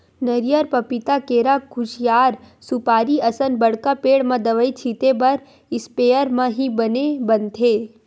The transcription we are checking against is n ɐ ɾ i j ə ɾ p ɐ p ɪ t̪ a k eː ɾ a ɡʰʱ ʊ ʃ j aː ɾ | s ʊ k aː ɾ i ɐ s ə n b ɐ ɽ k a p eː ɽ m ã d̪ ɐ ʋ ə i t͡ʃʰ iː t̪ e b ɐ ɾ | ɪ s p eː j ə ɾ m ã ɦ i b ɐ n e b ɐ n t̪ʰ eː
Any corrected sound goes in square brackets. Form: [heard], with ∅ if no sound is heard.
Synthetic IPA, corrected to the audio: n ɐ ɾ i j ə ɾ p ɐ p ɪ t̪ a k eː ɾ a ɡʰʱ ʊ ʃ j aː ɾ | s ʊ [p] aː ɾ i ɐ s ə n b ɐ ɽ k a p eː ɽ m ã d̪ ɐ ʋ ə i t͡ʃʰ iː t̪ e b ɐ ɾ | ɪ s p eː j ə ɾ m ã ɦ i b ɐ n e b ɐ n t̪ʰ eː